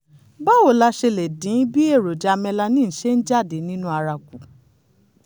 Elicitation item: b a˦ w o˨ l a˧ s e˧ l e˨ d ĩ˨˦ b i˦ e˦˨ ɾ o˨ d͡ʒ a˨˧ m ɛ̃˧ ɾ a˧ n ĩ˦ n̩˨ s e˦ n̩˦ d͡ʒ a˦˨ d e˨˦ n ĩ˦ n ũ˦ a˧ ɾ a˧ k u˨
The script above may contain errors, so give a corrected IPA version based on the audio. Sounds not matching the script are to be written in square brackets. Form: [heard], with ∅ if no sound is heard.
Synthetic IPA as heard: b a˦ w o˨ l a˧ [ʃ] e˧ l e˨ d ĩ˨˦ b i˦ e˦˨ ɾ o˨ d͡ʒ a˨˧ m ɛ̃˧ [l] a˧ n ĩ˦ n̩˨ [ʃ] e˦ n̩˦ d͡ʒ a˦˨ d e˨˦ n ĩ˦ n ũ˦ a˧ ɾ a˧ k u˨